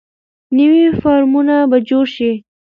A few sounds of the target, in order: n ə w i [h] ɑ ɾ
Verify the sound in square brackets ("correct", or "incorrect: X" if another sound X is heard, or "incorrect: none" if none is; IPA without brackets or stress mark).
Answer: incorrect: f